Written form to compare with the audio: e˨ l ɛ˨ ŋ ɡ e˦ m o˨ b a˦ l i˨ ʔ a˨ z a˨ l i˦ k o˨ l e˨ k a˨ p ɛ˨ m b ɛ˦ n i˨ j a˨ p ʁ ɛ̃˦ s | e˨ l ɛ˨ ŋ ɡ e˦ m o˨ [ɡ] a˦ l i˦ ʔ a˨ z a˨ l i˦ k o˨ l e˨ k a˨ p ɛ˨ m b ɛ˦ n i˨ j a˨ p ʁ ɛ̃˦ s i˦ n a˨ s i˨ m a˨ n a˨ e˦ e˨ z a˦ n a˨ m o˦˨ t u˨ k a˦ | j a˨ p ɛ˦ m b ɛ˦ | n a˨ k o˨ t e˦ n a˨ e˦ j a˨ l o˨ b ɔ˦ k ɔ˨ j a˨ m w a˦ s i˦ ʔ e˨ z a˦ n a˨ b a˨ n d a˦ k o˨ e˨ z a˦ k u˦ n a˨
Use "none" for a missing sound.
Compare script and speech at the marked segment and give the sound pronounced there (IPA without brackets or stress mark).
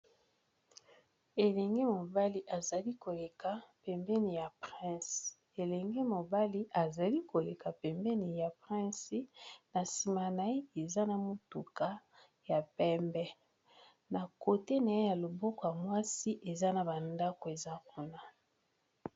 b